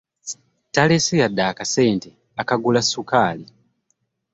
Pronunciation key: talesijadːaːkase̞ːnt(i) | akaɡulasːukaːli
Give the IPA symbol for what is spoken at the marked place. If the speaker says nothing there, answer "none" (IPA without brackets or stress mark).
e